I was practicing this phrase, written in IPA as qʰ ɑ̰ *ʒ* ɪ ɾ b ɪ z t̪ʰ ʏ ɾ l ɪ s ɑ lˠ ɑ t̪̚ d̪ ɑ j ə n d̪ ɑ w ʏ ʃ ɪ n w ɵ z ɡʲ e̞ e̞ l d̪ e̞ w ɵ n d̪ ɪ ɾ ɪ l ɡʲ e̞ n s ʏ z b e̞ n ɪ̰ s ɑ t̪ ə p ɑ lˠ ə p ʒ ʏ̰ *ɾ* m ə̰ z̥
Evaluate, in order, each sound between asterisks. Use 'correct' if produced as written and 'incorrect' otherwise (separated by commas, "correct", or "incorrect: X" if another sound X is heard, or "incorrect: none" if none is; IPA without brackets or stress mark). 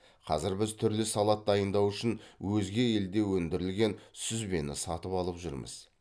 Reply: incorrect: z, correct